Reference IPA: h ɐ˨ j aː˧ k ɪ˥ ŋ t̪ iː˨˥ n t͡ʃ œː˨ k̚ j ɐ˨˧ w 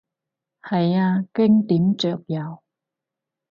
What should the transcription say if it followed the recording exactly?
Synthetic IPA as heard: h ɐ˨ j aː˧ k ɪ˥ ŋ t̪ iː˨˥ m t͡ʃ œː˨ k̚ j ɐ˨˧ w